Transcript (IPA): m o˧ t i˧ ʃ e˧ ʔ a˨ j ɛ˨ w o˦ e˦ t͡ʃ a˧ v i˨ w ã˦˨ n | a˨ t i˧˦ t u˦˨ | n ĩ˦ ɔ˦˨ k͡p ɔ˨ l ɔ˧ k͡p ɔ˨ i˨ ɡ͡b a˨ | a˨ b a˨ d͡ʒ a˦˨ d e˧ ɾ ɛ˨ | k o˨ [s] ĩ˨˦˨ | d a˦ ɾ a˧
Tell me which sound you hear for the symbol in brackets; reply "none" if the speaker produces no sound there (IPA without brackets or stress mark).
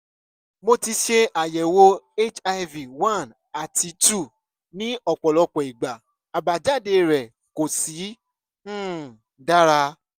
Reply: s